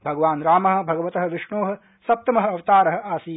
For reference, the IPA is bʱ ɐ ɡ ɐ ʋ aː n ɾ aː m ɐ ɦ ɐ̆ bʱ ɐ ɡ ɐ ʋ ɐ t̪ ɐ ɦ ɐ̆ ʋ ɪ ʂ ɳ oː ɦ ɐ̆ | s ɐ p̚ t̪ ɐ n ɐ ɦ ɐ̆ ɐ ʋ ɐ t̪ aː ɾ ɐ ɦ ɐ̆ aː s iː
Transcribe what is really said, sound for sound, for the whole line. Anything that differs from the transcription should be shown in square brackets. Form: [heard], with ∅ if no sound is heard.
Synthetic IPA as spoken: bʱ ɐ ɡ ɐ ʋ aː n ɾ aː m ɐ ɦ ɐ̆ bʱ ɐ ɡ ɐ ʋ ɐ t̪ ɐ ɦ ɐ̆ ʋ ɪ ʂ ɳ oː ɦ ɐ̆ | s ɐ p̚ t̪ ɐ [m] ɐ ɦ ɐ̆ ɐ ʋ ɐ t̪ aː ɾ ɐ ɦ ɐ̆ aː s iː